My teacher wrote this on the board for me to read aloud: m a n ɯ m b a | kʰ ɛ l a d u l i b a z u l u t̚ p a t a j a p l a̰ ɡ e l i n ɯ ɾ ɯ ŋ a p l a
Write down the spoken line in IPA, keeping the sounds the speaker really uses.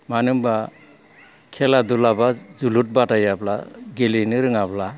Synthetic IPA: m a n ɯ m b a | kʰ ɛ l a d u l a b a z u l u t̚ b a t a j a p l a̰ ɡ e l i n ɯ ɾ ɯ ŋ a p l a